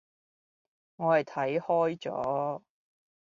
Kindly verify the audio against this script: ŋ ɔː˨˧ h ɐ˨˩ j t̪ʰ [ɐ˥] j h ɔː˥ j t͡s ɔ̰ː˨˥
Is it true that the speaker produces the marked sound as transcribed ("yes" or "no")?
no